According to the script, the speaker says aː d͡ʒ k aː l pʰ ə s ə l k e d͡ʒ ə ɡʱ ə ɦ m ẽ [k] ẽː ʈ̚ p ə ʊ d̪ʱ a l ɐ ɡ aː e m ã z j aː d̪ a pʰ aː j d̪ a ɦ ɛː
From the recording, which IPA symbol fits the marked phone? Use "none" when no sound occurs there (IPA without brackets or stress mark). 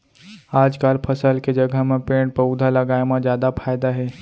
p